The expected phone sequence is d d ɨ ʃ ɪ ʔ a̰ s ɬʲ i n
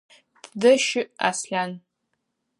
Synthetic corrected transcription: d d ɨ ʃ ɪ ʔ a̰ s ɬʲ a n

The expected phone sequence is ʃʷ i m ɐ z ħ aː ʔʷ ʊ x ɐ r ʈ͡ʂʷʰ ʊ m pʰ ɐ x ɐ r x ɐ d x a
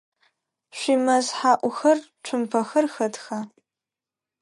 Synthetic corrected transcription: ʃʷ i m ɐ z ħ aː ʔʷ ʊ x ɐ r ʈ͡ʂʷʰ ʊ m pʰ ɐ x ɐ r x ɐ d x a

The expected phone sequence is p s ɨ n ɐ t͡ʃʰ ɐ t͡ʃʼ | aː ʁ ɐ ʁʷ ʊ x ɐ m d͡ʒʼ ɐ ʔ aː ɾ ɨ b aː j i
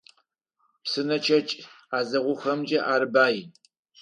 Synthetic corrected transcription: p s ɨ n ɐ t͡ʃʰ ɐ t͡ʃʼ | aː z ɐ ʁʷ ʊ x ɐ m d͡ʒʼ ɐ ʔ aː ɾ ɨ b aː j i

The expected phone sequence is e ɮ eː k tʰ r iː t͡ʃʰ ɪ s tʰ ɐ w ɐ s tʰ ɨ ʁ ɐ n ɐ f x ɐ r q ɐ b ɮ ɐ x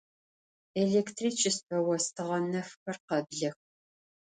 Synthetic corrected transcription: e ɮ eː k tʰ r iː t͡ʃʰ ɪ s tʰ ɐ w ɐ s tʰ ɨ ʁ ɐ n ɐ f x ɐ r q ɐ b ɮ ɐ x

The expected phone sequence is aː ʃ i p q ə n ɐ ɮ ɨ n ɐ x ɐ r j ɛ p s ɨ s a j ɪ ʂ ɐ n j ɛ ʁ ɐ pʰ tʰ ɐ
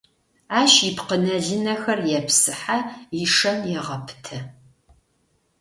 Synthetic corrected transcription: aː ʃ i p q ə n ɐ ɮ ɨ n ɐ x ɐ r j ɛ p s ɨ ħ a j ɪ ʂ ɐ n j ɛ ʁ ɐ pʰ tʰ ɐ

